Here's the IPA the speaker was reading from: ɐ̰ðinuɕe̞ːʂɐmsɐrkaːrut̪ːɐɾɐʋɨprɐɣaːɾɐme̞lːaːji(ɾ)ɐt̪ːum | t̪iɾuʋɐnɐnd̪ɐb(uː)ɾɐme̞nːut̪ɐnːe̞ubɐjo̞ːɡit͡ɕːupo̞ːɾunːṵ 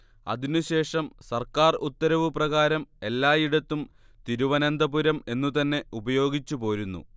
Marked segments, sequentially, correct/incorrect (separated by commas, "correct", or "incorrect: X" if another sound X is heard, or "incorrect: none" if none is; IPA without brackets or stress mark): incorrect: ɽ, incorrect: u